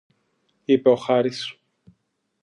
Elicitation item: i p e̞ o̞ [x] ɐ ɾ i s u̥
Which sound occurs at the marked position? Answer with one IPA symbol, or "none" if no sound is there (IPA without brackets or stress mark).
x